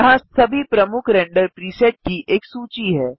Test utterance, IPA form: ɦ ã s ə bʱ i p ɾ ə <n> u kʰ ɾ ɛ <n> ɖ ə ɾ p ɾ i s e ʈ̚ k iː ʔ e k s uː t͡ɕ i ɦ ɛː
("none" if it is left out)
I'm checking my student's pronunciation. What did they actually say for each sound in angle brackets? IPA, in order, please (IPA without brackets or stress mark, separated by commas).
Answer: m, ɳ